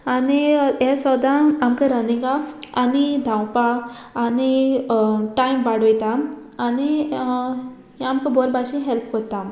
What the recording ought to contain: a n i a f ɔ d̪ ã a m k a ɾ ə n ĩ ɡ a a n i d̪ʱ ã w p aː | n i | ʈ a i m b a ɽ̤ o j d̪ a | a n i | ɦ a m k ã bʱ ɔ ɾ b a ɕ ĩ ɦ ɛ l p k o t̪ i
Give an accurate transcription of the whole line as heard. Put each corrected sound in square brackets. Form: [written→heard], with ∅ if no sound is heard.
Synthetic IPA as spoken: a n i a [f→s] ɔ d̪ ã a m k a ɾ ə n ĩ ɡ a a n i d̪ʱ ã w p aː | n i | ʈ a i m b a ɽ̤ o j [d̪→t̪] a | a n i | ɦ a m k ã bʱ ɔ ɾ b a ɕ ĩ ɦ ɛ l p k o t̪ [i→a]